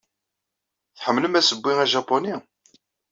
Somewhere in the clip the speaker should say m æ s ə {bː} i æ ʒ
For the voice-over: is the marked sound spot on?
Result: yes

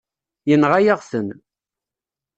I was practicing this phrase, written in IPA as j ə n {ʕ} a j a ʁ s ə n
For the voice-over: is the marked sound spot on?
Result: no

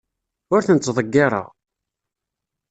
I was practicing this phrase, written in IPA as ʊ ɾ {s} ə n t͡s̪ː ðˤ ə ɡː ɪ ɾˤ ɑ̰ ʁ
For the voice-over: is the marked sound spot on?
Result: no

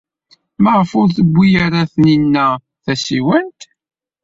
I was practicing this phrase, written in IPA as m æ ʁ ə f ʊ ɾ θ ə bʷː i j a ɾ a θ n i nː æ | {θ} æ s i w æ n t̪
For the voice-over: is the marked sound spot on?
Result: yes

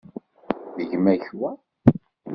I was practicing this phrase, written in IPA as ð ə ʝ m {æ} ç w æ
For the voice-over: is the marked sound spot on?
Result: yes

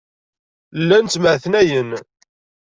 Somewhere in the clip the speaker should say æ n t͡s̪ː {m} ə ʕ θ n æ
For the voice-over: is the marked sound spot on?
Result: yes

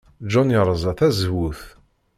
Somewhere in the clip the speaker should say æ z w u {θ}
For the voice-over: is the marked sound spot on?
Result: yes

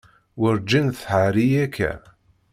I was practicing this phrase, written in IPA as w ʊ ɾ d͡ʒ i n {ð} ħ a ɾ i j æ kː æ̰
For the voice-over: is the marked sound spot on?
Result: no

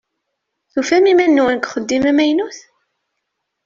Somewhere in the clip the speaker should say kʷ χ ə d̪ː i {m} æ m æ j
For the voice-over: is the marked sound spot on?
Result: yes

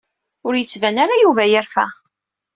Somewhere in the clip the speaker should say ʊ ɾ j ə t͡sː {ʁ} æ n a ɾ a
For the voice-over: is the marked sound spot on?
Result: no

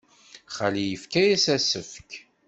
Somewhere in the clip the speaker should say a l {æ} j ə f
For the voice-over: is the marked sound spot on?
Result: no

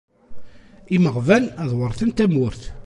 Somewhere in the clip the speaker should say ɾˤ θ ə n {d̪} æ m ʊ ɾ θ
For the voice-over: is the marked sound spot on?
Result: no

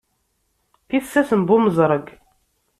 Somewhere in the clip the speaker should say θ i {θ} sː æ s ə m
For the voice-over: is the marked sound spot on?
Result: yes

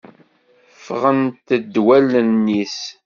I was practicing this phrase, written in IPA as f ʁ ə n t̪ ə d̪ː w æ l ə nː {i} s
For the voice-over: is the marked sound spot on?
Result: yes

